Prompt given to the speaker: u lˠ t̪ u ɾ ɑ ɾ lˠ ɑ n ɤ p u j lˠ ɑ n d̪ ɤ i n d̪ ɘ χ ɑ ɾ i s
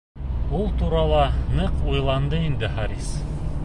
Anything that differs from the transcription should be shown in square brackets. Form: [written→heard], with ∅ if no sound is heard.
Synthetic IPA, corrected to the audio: u lˠ t̪ u ɾ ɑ [ɾ→∅] lˠ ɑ n ɤ [p→q] u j lˠ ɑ n d̪ ɤ i n d̪ ɘ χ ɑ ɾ i s